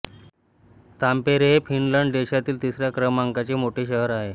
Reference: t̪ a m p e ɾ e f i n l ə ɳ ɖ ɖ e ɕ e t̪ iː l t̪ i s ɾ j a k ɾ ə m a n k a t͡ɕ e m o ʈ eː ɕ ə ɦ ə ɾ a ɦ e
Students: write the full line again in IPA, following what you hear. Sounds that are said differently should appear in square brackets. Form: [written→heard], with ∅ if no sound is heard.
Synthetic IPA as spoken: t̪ a m p e ɾ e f i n l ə ɳ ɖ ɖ e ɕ [e→a] t̪ iː l t̪ i s ɾ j a k ɾ ə m a [n→ŋ] k a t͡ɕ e m o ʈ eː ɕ ə ɦ ə ɾ a ɦ e

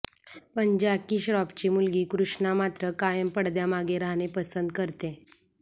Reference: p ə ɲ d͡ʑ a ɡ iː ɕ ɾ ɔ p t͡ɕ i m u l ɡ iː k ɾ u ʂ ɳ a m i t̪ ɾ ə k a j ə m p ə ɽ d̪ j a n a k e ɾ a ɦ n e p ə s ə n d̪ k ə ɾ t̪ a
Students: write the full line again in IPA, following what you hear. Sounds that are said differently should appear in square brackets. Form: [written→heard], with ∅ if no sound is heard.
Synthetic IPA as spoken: p ə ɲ d͡ʑ a [ɡ→k] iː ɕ ɾ ɔ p t͡ɕ i m u l ɡ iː k ɾ u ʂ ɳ a m [i→a] t̪ ɾ ə k a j ə m p ə ɽ d̪ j a [n→m] a [k→ɡ] e ɾ a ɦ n e p ə s ə n d̪ k ə ɾ t̪ [a→e]

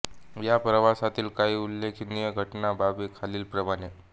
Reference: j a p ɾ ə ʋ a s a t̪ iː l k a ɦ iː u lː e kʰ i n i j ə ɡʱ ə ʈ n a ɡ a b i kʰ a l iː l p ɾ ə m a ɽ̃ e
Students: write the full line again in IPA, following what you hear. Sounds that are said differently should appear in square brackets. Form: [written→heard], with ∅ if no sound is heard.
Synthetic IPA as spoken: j a p ɾ ə ʋ a s a t̪ iː l k a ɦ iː u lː e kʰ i n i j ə ɡʱ ə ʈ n a [ɡ→b] a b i kʰ a l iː l p ɾ ə m a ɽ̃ e

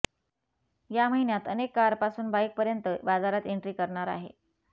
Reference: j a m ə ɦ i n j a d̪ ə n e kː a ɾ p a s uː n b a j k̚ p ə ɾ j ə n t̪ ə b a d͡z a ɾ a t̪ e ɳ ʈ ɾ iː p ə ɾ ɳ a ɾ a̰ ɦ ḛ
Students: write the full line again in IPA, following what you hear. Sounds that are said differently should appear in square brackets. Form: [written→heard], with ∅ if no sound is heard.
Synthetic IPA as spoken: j a m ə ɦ i n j a [d̪→t̪] ə n e kː a ɾ p a s uː n b a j k̚ p ə ɾ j ə n t̪ ə b a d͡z a ɾ a t̪ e ɳ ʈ ɾ iː [p→k] ə ɾ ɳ a ɾ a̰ ɦ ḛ

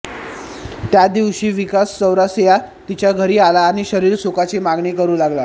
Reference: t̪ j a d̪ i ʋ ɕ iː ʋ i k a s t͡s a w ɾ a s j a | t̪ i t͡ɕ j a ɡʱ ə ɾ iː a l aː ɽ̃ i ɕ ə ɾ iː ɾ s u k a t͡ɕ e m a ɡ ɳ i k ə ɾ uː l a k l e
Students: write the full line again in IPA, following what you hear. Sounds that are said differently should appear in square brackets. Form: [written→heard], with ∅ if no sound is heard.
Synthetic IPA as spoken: t̪ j a d̪ i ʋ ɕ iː ʋ i k a s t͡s [a→ə] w ɾ a s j a | t̪ i t͡ɕ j a ɡʱ ə ɾ iː a l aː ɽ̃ i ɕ ə ɾ iː ɾ s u k a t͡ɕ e m a ɡ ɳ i k ə ɾ uː l a [k→ɡ] l [e→a]

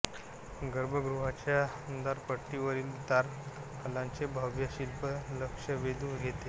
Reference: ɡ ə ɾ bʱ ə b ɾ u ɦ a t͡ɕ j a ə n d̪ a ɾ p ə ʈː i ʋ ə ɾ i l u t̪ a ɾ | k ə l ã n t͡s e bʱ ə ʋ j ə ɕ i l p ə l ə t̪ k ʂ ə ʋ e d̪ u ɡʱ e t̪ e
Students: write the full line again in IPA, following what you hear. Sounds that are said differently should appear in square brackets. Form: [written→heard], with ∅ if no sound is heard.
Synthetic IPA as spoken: ɡ ə ɾ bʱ ə [b→ɡ] ɾ u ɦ a t͡ɕ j a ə n d̪ a ɾ p ə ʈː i ʋ ə ɾ [i→iː] l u t̪ a ɾ | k ə l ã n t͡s e bʱ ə ʋ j ə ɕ i l p ə l ə [t̪→∅] k ʂ ə ʋ e d̪ u ɡʱ e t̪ e

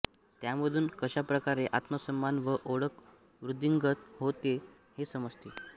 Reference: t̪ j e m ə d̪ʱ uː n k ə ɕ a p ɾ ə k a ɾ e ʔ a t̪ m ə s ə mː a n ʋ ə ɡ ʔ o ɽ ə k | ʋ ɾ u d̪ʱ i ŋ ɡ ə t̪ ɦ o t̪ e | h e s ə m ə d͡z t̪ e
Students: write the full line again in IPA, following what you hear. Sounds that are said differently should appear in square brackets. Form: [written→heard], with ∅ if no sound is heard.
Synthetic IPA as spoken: t̪ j [e→a] m ə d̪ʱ uː n k ə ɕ a p ɾ ə k a ɾ e ʔ a t̪ m ə s ə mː a n ʋ ə [ɡ→∅] ʔ o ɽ ə k | ʋ ɾ u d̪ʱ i ŋ ɡ ə t̪ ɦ o t̪ e | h e s ə m ə d͡z t̪ e

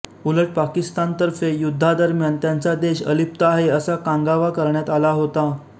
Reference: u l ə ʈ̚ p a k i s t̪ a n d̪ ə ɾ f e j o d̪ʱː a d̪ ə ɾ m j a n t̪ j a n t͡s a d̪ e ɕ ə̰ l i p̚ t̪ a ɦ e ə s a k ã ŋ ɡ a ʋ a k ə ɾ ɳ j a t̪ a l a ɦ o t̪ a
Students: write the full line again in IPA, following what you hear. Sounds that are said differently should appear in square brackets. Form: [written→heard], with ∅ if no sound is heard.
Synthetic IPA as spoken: u l ə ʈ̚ p a k i s t̪ a n [d̪→t̪] ə ɾ f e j [o→u] d̪ʱː a d̪ ə ɾ m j a n t̪ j a n t͡s a d̪ e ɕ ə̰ l i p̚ t̪ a ɦ e ə s a k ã ŋ ɡ a ʋ a k ə ɾ ɳ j a t̪ a l a ɦ o t̪ a

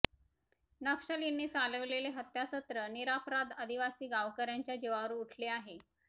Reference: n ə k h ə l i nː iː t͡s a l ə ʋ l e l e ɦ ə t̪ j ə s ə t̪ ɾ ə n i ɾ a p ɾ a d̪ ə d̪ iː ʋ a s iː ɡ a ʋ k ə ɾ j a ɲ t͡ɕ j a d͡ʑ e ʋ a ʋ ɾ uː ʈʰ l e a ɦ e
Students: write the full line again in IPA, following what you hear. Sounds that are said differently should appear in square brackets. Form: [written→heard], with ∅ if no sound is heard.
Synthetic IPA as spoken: n ə k [h→ʂ] ə l i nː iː t͡s a l ə ʋ l e l e ɦ ə t̪ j [ə→a] s ə t̪ ɾ ə n i ɾ a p ɾ a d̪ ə d̪ [iː→i] ʋ a s iː ɡ a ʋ k ə ɾ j a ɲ t͡ɕ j a d͡ʑ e ʋ a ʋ ɾ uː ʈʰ l e a ɦ e

